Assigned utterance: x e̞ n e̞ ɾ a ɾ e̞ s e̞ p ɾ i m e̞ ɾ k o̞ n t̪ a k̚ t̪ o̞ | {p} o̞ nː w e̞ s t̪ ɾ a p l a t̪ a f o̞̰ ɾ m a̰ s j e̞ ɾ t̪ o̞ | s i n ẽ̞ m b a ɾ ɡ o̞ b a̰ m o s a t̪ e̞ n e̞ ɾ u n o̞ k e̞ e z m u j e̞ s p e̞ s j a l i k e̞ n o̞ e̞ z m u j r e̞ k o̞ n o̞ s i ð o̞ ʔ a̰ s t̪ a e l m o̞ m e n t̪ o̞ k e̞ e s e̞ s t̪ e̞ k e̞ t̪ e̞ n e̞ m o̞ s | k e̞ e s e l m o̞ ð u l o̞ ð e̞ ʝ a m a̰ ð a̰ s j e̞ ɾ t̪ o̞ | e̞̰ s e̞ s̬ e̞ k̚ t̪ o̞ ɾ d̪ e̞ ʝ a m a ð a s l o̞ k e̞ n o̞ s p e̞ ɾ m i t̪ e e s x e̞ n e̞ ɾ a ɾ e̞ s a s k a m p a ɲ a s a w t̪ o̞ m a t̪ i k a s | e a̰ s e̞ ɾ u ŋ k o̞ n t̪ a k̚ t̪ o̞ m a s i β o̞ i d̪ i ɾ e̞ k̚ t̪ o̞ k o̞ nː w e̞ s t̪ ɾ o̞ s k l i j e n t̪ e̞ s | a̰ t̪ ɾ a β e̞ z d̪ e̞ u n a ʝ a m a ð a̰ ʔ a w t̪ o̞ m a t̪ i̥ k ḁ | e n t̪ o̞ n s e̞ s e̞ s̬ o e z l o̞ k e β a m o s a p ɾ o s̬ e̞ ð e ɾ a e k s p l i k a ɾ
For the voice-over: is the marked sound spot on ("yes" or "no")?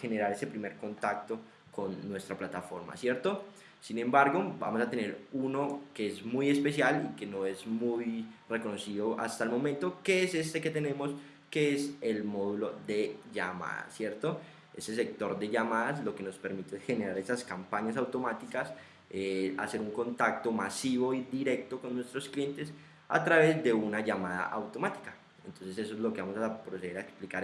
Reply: no